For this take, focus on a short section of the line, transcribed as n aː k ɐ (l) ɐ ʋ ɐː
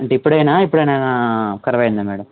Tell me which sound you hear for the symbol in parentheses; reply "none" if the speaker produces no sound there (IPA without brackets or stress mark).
ɾ